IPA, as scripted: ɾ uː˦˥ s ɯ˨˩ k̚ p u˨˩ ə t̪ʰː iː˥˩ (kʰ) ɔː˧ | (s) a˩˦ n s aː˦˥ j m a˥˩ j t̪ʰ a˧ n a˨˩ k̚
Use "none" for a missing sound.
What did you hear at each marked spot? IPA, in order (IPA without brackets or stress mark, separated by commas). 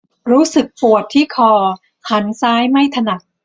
kʰ, h